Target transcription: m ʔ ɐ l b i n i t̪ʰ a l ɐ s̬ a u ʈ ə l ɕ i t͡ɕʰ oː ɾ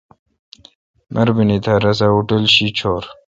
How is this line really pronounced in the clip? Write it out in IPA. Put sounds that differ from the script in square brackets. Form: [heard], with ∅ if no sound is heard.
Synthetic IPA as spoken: m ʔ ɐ [ɾ] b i n i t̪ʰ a [ɾ] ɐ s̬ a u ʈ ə l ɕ i t͡ɕʰ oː ɾ